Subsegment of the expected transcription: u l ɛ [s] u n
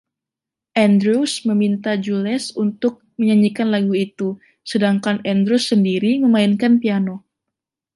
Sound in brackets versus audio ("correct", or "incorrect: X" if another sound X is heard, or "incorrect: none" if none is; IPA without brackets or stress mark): correct